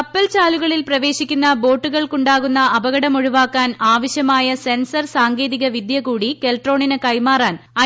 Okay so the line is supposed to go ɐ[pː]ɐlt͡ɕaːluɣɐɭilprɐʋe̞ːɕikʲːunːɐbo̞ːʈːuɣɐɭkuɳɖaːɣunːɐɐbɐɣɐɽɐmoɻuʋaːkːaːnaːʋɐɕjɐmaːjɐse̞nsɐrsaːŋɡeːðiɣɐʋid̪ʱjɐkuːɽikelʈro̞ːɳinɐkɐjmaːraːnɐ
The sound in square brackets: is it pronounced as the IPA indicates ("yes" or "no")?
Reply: yes